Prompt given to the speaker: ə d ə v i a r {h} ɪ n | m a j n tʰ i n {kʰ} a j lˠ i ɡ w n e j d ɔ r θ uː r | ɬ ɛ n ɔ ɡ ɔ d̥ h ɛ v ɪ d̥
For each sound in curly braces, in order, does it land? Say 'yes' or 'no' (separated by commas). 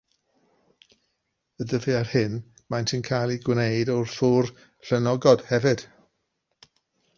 yes, yes